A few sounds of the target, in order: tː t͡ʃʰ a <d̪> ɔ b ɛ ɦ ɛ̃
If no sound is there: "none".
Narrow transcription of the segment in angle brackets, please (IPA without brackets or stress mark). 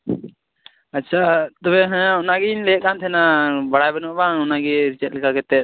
t̪